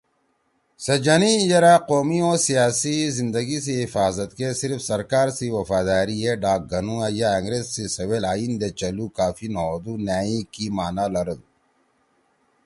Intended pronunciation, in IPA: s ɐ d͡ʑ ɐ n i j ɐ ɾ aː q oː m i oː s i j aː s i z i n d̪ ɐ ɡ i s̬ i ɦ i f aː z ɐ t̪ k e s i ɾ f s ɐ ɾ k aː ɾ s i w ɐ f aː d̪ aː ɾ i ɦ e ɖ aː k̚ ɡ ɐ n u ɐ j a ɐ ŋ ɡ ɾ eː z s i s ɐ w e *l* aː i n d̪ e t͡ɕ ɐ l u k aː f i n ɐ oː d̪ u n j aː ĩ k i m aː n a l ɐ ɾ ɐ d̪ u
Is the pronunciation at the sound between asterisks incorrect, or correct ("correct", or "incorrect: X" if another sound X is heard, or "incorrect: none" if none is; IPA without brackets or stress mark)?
correct